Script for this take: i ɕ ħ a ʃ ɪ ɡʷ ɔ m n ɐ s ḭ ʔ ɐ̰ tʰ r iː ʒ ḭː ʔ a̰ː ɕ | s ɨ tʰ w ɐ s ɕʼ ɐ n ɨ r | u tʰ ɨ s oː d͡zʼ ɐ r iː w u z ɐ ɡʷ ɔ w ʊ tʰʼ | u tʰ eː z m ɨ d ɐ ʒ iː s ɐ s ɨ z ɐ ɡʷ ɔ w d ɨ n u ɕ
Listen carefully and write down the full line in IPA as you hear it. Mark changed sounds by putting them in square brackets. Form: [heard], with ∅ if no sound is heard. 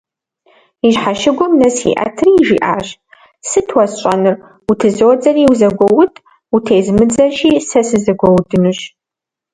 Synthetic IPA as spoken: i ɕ ħ a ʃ ɪ ɡʷ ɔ m n ɐ s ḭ ʔ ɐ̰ tʰ r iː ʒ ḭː ʔ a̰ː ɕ | s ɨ tʰ w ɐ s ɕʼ ɐ n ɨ r | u tʰ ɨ [z] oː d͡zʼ ɐ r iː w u z ɐ ɡʷ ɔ w ʊ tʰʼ | u tʰ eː z m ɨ [d͡z] ɐ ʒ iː s ɐ s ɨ z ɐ ɡʷ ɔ w d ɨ n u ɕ